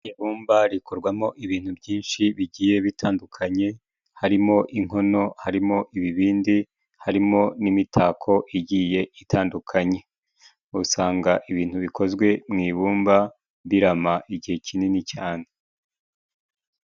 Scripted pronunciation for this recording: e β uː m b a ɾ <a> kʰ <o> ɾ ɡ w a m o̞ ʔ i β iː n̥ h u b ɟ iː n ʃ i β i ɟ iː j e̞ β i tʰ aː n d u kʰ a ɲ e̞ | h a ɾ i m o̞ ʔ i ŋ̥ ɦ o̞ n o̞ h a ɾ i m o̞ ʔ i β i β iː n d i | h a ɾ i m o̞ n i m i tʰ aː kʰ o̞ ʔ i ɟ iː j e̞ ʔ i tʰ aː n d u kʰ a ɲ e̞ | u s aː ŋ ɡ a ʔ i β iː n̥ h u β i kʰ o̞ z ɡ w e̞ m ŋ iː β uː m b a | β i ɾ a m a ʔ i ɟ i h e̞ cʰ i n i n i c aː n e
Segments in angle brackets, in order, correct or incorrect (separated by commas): incorrect, correct